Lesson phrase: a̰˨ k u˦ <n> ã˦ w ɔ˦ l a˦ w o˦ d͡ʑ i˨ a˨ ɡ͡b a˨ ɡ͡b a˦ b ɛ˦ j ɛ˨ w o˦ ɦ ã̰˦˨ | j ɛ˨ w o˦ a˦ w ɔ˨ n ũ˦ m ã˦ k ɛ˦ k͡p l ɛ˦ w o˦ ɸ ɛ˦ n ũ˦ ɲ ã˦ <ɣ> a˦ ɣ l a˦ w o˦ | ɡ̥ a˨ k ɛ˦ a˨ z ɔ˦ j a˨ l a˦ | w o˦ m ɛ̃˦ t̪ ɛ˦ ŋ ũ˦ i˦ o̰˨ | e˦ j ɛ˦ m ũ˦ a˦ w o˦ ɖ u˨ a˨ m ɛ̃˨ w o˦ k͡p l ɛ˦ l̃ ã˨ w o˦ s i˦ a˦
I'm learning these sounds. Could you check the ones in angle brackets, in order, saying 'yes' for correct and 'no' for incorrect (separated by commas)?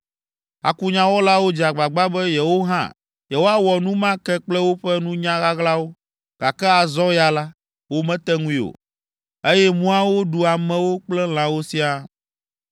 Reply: no, yes